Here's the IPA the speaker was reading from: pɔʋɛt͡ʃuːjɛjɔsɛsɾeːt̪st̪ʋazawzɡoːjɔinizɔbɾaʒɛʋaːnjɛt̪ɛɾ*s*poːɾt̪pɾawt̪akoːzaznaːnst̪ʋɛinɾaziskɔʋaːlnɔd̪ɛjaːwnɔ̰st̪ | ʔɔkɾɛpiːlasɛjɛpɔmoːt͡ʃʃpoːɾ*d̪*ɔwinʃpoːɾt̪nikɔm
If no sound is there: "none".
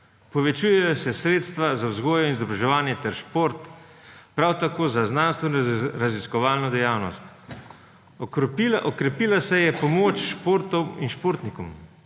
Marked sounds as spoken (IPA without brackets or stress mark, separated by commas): ʃ, t̪